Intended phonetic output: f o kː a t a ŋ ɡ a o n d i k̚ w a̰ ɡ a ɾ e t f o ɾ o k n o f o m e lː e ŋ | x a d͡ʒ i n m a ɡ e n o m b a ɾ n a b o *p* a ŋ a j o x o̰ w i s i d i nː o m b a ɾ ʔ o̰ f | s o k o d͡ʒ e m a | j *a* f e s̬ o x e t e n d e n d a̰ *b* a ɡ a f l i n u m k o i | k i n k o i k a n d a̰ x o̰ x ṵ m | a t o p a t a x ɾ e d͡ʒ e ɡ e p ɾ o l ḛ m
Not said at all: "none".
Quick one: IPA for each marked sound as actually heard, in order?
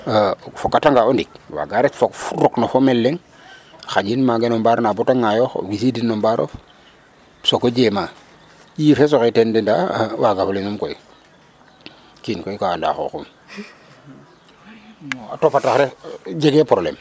t, i, w

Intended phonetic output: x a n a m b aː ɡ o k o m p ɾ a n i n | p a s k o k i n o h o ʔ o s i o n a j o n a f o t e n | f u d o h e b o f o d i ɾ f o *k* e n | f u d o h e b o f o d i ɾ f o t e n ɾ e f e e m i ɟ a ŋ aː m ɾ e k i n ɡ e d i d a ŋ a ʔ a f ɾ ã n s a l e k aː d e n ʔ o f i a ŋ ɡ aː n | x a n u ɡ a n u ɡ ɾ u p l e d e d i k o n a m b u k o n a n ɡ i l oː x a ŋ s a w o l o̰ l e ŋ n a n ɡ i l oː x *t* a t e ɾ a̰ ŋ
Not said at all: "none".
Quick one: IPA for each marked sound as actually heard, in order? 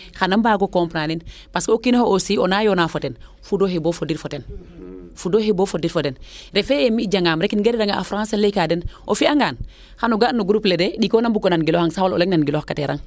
t, k

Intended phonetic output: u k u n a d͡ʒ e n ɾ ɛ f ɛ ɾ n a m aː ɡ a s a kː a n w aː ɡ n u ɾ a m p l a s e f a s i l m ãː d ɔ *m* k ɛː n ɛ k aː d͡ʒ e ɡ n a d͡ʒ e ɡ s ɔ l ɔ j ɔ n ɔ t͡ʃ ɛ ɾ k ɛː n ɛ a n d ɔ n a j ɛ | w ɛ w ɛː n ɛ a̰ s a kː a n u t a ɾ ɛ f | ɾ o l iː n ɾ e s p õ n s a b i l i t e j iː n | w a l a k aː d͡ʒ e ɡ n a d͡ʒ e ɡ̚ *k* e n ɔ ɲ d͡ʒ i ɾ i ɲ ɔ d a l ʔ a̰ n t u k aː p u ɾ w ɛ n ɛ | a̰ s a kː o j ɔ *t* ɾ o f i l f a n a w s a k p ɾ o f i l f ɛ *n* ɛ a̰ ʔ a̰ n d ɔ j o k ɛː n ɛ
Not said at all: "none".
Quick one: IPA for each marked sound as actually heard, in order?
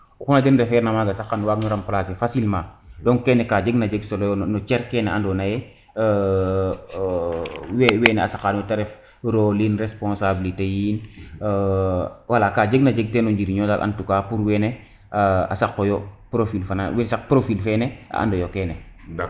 ŋ, t, p, n

